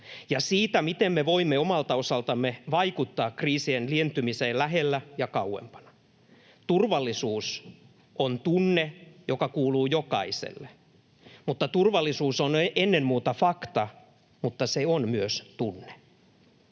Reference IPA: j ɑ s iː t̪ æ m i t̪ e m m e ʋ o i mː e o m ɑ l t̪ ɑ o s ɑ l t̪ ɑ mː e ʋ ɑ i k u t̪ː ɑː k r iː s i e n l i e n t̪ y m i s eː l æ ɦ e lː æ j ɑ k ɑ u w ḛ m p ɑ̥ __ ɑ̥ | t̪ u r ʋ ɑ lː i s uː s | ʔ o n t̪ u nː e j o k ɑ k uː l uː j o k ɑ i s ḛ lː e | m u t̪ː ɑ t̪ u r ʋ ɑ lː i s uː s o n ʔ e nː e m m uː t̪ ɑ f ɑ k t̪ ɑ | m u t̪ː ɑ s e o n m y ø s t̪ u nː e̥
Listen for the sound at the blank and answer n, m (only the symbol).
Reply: n